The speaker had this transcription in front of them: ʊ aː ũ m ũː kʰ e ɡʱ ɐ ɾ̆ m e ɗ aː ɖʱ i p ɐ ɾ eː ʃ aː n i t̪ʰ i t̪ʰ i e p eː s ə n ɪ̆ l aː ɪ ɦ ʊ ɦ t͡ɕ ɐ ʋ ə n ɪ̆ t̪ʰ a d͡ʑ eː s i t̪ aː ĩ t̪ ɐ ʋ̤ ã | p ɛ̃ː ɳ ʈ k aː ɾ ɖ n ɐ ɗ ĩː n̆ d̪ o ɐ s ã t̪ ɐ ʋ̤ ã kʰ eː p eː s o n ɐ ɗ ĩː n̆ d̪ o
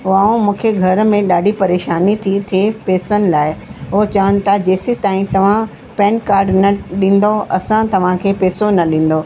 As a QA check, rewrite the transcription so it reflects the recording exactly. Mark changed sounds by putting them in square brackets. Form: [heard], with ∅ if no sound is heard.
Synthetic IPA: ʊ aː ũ m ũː kʰ e ɡʱ ɐ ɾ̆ m [ẽ] ɗ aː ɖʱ i p ɐ ɾ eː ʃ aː n i t̪ʰ i t̪ʰ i e p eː s ə n ɪ̆ l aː ɪ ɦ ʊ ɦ t͡ɕ ɐ ʋ ə n ɪ̆ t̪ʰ a d͡ʑ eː s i t̪ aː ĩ t̪ ɐ ʋ̤ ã | p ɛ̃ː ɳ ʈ k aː ɾ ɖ n ɐ ɗ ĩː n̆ d̪ o ɐ s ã t̪ ɐ ʋ̤ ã kʰ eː p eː s o n ɐ ɗ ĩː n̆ d̪ o